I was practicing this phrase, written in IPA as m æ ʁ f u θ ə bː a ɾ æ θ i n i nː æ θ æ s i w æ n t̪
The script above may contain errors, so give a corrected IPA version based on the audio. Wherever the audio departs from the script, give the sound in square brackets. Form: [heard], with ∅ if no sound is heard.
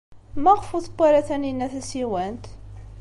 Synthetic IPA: m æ ʁ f u θ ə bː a ɾ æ θ [æ] n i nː æ θ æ s i w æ n t̪

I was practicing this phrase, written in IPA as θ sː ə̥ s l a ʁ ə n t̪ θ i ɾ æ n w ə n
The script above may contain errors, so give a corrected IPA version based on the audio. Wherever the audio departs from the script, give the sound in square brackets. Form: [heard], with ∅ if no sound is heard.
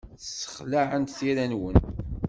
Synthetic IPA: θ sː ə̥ [χ] l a [ʕ] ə n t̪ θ i ɾ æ n w ə n

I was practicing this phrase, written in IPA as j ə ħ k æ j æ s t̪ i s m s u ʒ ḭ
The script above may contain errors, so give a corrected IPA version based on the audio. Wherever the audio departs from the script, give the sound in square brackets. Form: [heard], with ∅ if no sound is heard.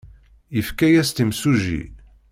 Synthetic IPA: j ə [f] k æ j æ s t̪ i [∅] m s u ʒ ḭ

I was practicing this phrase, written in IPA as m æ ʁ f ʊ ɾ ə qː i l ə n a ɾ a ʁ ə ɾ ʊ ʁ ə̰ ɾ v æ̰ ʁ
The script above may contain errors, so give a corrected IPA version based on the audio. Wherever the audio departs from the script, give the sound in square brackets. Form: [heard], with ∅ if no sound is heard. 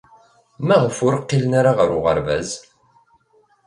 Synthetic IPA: m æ ʁ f ʊ ɾ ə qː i l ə n a ɾ a ʁ ə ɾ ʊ ʁ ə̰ ɾ v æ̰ [z]

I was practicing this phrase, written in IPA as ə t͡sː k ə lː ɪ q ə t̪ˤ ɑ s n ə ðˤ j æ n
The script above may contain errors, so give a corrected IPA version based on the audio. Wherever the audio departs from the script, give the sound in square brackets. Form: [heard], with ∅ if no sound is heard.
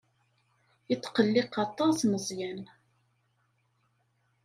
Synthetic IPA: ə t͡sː [q] ə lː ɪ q [ɑ] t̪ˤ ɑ s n ə [zˤ] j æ n

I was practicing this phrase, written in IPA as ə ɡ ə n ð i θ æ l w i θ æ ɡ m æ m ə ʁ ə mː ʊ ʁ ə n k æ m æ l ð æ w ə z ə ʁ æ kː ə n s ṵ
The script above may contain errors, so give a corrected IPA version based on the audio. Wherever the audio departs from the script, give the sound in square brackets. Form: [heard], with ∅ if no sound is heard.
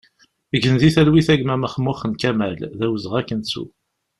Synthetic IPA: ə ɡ ə n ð i θ æ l w i θ æ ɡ m æ m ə [χ] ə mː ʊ [χ] ə n k æ m æ l ð æ w ə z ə ʁ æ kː ə n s ṵ

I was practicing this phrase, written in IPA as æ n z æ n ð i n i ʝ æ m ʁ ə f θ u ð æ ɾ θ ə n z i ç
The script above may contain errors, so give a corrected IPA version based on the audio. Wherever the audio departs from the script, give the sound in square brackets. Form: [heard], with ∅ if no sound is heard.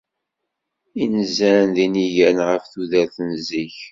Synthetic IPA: [i] n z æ n ð i n i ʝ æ [n] ʁ ə f θ u ð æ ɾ θ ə n z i ç

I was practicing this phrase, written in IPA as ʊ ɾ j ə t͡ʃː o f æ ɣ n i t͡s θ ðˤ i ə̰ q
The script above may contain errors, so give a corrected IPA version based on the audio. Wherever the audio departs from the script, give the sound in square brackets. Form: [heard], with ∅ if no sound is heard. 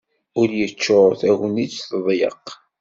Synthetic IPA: ʊ ɾ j ə t͡ʃː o [θ] æ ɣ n i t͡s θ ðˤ [j] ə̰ q

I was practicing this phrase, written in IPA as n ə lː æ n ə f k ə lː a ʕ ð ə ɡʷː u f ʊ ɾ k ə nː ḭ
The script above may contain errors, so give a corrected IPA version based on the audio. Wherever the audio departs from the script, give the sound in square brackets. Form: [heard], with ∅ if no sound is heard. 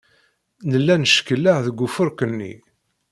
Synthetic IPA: n ə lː æ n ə [ʃ] k ə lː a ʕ ð ə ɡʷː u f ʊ ɾ k ə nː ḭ

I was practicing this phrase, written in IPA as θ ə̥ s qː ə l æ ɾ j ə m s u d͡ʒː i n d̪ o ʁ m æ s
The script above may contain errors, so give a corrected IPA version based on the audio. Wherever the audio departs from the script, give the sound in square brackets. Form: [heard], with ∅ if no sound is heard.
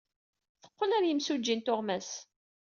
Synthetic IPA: θ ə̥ [∅] qː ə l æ ɾ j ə m s u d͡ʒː i n [t̪] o ʁ m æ s

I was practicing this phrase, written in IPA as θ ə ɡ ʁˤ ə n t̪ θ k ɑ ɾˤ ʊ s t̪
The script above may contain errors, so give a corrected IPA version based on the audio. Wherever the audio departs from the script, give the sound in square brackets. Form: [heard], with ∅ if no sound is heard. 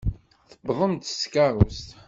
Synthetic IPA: θ ə [b] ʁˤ ə [m] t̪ [s] k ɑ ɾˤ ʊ s t̪

